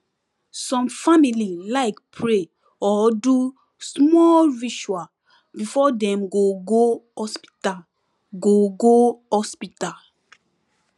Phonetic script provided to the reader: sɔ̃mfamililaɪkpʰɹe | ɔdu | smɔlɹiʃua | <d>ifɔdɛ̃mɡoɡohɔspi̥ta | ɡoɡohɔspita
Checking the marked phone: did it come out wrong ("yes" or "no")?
yes